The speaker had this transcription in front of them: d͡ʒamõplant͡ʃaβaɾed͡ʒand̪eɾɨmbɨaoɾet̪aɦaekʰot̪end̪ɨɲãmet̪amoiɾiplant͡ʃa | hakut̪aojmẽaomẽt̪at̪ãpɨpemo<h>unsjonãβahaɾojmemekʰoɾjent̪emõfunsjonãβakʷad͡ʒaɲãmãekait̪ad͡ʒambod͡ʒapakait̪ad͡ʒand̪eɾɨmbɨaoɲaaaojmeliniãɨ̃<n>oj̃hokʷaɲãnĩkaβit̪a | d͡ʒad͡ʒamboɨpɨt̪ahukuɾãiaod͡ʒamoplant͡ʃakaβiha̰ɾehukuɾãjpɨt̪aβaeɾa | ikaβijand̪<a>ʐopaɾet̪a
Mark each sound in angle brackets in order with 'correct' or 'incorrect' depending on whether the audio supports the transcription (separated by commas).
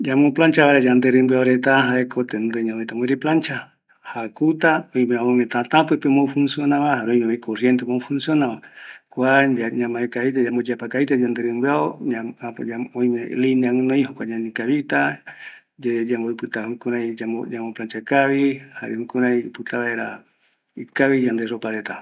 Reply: incorrect, correct, incorrect